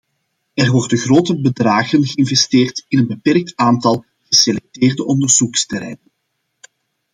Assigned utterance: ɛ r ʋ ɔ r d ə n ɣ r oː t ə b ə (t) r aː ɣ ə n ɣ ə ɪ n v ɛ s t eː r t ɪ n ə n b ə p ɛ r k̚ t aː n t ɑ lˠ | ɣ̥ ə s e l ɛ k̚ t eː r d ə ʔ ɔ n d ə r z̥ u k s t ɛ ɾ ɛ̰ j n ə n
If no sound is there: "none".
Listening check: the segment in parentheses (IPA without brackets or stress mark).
d